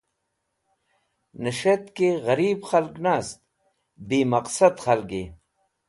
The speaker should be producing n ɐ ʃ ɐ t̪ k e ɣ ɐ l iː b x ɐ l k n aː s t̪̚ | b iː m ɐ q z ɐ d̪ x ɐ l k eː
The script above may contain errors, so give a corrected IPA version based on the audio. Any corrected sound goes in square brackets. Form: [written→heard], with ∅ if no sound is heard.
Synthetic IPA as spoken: n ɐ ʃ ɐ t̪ k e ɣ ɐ [l→ɾ] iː b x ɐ l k n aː s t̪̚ | b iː m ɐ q [z→s] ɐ d̪ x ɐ l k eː